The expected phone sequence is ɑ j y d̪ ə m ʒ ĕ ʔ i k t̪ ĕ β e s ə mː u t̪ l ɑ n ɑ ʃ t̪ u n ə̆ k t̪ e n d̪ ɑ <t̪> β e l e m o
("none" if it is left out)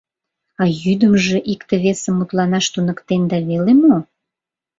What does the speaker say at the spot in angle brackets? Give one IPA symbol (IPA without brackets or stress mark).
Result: none